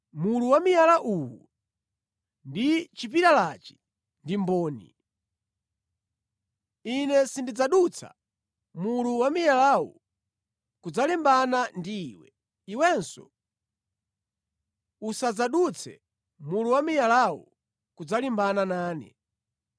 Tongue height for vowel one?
high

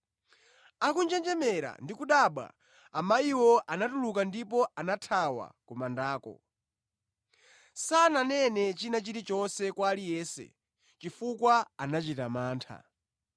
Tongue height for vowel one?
low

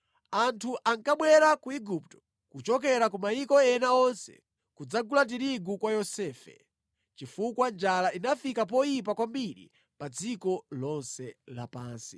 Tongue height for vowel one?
low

